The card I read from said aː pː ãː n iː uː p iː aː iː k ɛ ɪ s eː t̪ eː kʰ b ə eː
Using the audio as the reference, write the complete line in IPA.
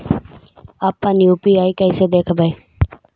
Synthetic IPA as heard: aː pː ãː n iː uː p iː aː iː k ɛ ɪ s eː d̪ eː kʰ b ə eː